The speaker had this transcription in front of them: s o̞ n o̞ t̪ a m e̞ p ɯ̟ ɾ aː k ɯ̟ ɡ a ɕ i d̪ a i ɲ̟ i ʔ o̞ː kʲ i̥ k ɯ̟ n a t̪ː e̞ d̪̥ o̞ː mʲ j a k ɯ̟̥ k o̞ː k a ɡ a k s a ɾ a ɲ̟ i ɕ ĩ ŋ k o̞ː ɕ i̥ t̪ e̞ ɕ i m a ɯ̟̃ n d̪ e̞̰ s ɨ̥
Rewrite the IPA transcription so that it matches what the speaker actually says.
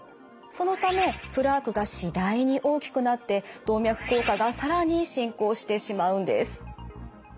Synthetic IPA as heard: s o̞ n o̞ t̪ a m e̞ p ɯ̟ ɾ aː k ɯ̟ ɡ a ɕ i d̪ a i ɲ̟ i ʔ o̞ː kʲ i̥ k ɯ̟ n a t̪ː e̞ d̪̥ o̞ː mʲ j a k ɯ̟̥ k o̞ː k a ɡ a s a ɾ a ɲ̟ i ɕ ĩ ŋ k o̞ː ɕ i̥ t̪ e̞ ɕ i m a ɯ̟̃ n d̪ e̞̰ s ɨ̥